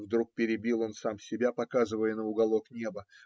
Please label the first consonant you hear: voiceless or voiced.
voiced